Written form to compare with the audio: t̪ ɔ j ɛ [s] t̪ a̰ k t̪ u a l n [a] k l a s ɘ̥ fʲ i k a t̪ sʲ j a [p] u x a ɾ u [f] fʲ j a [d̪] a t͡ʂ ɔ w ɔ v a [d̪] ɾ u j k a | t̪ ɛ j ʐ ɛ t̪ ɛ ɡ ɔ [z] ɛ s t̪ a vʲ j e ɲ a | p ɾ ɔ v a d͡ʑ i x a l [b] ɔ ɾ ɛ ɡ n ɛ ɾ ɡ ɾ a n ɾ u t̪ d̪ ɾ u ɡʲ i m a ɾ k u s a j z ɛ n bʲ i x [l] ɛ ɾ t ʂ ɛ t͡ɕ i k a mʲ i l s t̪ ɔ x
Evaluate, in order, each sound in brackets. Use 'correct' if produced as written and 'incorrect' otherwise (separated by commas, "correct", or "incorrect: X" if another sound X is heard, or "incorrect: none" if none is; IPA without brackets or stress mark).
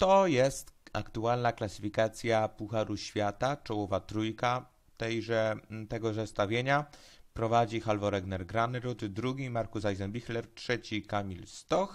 correct, correct, correct, incorrect: ɕ, incorrect: t̪, incorrect: t̪, correct, incorrect: v, correct